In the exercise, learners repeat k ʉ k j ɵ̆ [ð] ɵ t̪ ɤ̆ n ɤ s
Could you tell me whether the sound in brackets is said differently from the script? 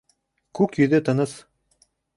no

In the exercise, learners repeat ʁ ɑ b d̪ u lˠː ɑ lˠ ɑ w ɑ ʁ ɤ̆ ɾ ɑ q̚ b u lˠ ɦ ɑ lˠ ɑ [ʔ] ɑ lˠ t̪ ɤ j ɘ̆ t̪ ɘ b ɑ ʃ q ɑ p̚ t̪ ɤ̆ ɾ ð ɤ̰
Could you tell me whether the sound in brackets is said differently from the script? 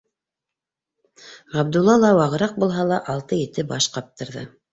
no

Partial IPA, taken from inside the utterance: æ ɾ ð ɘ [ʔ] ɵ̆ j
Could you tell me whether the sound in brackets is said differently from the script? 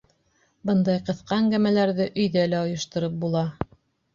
no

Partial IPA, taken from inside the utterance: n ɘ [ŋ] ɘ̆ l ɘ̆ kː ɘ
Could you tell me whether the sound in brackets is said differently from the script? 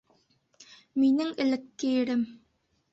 no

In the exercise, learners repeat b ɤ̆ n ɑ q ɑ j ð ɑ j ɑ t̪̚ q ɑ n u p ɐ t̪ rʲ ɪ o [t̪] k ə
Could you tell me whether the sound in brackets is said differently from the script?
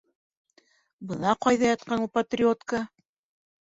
no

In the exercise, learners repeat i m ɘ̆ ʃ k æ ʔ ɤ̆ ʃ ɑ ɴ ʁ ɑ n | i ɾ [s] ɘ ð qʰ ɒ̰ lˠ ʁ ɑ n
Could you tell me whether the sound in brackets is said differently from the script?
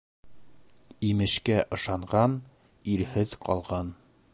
yes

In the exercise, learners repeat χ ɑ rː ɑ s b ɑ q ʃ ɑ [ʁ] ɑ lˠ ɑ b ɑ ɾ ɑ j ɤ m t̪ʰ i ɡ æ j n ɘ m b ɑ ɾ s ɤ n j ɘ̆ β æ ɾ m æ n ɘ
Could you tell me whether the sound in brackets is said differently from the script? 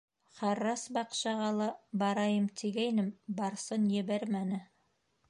no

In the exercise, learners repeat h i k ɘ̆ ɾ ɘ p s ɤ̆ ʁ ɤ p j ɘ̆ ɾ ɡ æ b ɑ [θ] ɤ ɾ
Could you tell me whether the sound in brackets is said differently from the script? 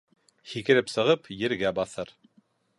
no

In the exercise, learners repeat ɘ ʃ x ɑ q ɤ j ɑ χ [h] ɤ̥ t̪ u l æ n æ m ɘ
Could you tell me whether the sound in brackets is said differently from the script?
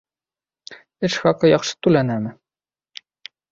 yes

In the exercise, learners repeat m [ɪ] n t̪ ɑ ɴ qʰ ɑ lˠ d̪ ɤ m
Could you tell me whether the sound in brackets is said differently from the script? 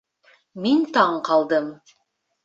yes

